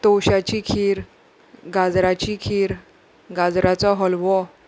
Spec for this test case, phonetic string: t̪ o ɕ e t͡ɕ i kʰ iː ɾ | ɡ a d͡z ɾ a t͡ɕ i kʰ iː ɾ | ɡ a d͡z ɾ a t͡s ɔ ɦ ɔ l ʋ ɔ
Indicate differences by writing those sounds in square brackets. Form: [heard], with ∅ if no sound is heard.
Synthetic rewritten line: t̪ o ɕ [a] t͡ɕ i kʰ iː ɾ | ɡ a d͡z ɾ a t͡ɕ i kʰ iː ɾ | ɡ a d͡z ɾ a t͡s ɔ ɦ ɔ l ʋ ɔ